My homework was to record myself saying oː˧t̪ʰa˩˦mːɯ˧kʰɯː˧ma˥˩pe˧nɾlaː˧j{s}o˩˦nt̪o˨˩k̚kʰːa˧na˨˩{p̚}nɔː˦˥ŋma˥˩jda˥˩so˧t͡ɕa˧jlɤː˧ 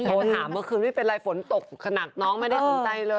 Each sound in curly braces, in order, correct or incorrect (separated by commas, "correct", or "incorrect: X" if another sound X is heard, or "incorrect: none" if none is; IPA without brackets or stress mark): incorrect: f, incorrect: k̚